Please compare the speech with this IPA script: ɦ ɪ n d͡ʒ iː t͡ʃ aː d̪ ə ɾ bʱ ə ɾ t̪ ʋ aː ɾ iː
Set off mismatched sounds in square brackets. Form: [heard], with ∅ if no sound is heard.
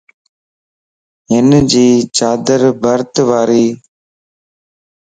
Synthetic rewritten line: ɦ ɪ n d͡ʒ iː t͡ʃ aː d̪ ə ɾ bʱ ə ɾ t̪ ʋ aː ɾ iː